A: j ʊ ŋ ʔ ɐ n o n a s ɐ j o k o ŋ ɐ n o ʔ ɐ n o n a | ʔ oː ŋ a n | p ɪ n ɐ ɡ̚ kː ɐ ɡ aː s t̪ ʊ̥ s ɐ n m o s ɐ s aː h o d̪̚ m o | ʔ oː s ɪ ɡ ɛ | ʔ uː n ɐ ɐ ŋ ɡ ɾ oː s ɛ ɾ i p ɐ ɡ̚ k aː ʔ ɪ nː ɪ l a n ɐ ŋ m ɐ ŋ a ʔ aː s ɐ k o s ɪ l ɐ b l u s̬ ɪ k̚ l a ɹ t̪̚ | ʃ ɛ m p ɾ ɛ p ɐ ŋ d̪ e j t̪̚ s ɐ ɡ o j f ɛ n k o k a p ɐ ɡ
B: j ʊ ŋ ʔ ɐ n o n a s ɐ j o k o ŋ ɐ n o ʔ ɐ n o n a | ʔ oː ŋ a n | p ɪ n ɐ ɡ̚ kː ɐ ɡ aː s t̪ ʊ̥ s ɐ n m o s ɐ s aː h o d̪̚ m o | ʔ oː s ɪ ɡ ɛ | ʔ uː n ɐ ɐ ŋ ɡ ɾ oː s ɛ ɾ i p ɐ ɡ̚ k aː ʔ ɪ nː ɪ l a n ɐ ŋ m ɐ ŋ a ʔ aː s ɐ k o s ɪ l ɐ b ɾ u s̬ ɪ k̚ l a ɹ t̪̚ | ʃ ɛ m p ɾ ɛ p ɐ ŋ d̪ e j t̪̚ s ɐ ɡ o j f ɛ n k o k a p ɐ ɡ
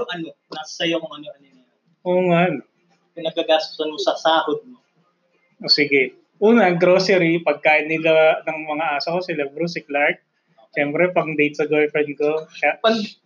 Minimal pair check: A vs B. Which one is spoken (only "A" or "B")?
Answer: B